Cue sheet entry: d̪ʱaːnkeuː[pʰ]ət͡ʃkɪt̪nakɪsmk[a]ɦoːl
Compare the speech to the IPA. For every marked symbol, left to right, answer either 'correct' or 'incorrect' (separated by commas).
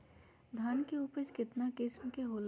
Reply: incorrect, incorrect